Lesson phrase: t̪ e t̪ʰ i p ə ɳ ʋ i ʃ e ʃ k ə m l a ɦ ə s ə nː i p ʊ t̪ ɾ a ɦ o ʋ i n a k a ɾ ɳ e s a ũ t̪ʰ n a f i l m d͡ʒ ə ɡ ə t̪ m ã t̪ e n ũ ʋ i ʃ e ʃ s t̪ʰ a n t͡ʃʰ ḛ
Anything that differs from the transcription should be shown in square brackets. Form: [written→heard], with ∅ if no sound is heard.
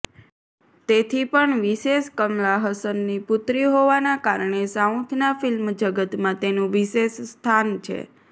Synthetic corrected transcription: t̪ e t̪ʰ i p ə ɳ ʋ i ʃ e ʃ k ə m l a ɦ ə s ə nː i p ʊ t̪ ɾ [a→i] ɦ o ʋ [i→a] n a k a ɾ ɳ e s a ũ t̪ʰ n a f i l m d͡ʒ ə ɡ ə t̪ m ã t̪ e n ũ ʋ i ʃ e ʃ s t̪ʰ a n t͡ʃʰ ḛ